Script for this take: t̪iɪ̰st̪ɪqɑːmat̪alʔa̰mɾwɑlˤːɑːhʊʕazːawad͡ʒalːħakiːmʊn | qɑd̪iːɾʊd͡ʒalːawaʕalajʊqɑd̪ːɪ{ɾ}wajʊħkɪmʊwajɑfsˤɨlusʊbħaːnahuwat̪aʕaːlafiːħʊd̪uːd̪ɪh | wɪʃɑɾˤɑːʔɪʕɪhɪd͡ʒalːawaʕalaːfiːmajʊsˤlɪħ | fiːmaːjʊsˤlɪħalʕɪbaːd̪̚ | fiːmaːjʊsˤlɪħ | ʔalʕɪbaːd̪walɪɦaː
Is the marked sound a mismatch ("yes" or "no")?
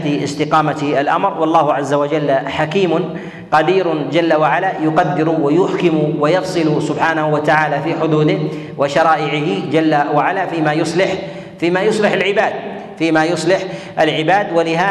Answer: no